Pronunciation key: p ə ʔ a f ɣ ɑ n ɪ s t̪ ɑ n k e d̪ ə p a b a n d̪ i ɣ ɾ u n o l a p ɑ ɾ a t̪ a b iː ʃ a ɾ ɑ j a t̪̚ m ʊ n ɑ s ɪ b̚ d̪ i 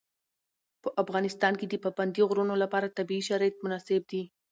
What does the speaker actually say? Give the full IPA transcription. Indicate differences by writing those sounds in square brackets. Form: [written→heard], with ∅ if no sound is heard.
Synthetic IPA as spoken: p ə ʔ a f ɣ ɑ n ɪ s t̪ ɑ n k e d̪ ə p a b a n d̪ i ɣ ɾ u n o l a p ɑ ɾ a t̪ a b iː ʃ a ɾ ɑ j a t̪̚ m ʊ n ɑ s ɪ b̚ d̪ i